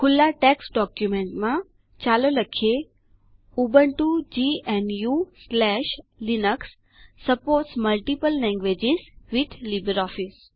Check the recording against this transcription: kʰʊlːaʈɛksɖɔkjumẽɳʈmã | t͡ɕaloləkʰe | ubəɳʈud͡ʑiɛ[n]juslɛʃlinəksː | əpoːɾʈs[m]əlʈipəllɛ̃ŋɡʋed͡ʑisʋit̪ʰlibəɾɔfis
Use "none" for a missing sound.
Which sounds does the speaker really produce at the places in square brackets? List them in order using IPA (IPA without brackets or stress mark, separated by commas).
n, m